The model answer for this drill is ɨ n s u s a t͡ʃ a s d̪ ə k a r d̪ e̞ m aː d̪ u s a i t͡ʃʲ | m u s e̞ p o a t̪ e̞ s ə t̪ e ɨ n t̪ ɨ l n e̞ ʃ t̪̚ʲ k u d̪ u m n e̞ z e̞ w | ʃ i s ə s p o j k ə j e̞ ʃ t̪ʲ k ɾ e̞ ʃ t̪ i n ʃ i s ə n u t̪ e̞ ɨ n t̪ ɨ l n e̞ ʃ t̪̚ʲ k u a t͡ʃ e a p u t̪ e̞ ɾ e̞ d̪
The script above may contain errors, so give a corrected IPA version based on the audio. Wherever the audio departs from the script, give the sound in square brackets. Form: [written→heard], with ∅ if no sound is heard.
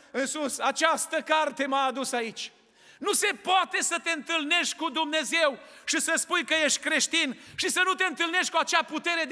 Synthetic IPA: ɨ n s u s a t͡ʃ a s [d̪→t̪] ə k a r [d̪→t̪] e̞ m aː d̪ u s a i t͡ʃʲ | [m→n] u s e̞ p o a t̪ e̞ s ə t̪ e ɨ n t̪ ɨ l n e̞ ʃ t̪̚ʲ k u d̪ u m n e̞ z e̞ w | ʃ i s ə s p [o→u] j k ə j e̞ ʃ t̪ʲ k ɾ e̞ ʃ t̪ i n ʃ i s ə n u t̪ e̞ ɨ n t̪ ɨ l n e̞ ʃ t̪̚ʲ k u a t͡ʃ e a p u t̪ e̞ ɾ e̞ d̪